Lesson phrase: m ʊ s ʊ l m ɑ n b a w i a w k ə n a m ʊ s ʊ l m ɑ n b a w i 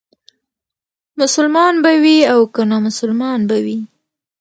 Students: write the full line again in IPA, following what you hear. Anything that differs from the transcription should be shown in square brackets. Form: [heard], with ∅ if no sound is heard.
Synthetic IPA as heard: m ʊ s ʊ l m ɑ n b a w i a w k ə n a m ʊ s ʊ l m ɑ n b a w i